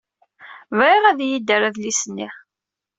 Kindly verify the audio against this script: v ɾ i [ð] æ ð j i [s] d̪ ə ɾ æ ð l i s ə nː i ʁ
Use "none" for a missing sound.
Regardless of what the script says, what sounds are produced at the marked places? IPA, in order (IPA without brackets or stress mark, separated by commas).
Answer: ʁ, none